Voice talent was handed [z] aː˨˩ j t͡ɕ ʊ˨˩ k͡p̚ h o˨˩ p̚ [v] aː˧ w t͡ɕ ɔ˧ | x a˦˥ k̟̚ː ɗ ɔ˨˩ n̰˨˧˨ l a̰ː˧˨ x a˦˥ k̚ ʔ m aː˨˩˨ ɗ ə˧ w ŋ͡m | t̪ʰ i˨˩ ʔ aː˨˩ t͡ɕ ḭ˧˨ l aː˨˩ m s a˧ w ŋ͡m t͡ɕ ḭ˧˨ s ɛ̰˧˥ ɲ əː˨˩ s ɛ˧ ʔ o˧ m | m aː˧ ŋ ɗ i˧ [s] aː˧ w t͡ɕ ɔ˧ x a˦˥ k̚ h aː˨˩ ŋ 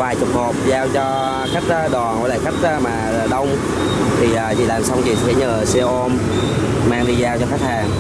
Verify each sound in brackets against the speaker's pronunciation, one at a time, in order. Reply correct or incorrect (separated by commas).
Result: incorrect, incorrect, incorrect